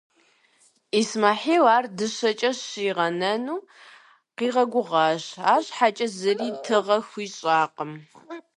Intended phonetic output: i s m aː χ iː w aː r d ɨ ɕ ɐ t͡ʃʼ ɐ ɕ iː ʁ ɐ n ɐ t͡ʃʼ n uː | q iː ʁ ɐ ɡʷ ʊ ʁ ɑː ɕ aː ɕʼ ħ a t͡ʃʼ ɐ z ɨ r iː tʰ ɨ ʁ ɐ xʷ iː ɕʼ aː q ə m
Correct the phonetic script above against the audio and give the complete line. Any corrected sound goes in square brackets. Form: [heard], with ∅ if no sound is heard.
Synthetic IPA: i s m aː [ħ] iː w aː r d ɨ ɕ ɐ t͡ʃʼ ɐ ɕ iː ʁ ɐ n ɐ [∅] n uː | q iː ʁ ɐ ɡʷ ʊ ʁ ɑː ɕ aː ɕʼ ħ a t͡ʃʼ ɐ z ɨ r iː tʰ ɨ ʁ ɐ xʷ iː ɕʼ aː q ə m